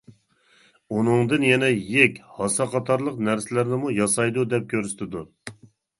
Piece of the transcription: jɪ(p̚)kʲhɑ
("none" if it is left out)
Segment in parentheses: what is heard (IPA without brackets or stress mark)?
none